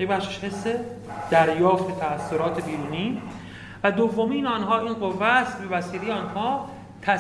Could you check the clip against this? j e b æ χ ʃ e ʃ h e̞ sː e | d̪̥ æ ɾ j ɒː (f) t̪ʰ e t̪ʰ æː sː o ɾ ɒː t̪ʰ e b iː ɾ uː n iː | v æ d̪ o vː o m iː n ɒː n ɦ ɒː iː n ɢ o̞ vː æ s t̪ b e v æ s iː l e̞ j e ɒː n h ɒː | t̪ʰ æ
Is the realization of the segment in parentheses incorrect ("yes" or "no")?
no